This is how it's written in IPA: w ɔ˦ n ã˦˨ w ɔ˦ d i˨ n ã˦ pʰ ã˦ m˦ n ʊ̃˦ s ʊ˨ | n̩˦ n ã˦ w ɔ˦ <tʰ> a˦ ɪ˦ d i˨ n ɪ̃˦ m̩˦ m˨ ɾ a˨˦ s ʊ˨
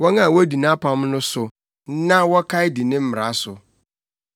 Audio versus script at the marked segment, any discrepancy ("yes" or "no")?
yes